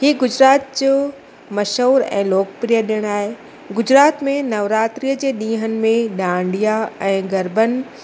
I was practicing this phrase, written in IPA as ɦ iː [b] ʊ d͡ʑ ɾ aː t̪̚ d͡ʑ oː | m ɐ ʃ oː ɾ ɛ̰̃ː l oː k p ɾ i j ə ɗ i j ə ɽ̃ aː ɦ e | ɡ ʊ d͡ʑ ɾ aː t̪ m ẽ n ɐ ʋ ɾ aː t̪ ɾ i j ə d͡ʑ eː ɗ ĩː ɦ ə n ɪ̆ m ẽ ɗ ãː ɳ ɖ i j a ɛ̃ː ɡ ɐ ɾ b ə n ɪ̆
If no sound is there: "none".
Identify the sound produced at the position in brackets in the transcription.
ɡ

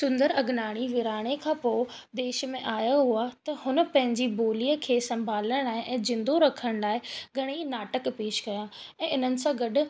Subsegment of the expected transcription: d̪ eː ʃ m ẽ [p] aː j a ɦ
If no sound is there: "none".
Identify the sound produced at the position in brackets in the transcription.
ʔ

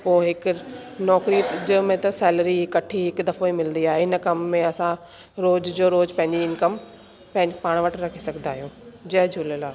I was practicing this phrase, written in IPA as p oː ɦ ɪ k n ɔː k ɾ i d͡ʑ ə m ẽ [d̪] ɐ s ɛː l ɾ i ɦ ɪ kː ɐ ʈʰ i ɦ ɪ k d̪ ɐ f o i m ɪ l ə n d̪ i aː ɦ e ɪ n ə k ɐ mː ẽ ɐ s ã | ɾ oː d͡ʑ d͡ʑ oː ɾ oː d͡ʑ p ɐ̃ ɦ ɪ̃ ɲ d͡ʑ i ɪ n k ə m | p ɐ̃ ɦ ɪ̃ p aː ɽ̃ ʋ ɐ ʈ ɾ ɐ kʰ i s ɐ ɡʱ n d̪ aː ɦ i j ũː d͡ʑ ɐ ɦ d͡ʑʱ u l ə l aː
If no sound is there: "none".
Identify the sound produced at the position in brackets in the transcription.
t̪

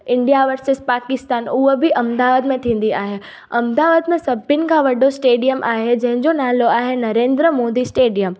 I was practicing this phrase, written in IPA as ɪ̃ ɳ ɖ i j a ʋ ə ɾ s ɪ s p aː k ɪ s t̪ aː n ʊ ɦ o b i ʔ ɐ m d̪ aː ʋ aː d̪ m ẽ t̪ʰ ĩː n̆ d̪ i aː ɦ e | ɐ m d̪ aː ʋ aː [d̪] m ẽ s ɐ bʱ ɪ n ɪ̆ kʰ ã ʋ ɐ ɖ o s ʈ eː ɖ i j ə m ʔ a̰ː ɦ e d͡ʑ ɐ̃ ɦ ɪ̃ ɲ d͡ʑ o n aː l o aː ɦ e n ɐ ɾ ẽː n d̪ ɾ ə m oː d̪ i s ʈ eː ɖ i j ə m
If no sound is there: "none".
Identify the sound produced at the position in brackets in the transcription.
d̪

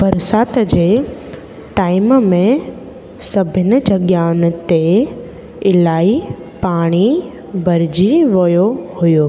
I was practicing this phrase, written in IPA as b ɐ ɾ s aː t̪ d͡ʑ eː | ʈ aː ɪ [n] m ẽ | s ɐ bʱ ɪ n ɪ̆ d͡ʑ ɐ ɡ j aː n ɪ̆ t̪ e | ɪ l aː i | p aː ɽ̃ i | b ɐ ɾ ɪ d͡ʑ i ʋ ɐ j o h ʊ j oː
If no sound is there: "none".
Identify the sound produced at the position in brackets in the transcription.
m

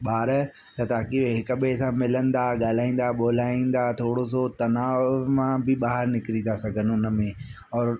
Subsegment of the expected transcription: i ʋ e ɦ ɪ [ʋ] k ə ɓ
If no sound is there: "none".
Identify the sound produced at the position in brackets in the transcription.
none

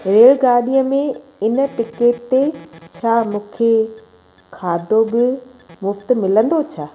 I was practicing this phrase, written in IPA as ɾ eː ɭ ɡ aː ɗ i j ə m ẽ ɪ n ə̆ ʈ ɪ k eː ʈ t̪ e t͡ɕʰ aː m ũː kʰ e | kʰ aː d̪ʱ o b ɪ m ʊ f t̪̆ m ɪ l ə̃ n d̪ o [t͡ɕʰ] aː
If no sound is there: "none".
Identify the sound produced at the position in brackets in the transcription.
t͡ɕʰ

